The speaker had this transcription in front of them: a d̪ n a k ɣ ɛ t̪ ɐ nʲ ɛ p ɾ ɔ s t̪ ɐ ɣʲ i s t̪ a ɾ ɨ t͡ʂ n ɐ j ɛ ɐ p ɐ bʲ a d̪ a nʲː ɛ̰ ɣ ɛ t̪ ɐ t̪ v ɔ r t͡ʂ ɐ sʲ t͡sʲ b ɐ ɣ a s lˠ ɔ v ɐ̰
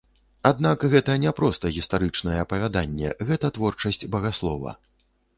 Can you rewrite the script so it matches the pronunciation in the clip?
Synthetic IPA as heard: a d̪ n a k ɣ ɛ t̪ ɐ nʲ ɛ p ɾ ɔ s t̪ ɐ ɣʲ i s t̪ a ɾ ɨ t͡ʂ n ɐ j ɛ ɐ p ɐ vʲ a d̪ a nʲː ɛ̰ ɣ ɛ t̪ ɐ t̪ v ɔ r t͡ʂ ɐ sʲ t͡sʲ b ɐ ɣ a s lˠ ɔ v ɐ̰